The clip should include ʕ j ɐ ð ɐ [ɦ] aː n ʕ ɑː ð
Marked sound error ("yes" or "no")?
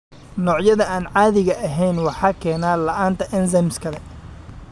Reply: yes